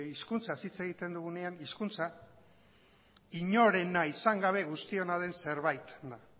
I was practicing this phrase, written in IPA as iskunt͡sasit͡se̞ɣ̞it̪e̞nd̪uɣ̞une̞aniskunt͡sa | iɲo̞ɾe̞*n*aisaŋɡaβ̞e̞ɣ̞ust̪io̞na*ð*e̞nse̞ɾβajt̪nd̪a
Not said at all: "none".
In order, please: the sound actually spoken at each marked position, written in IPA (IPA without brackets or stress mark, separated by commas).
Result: n, ð